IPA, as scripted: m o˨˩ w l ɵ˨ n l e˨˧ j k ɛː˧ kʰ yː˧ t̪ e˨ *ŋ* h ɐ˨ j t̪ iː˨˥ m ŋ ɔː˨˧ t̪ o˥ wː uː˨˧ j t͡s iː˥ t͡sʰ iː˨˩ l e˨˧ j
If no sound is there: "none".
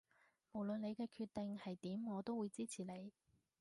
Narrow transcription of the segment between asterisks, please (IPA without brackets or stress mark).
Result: ŋ